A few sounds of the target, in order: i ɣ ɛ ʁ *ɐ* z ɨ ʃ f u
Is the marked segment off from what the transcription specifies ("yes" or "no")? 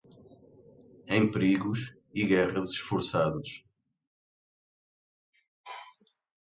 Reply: no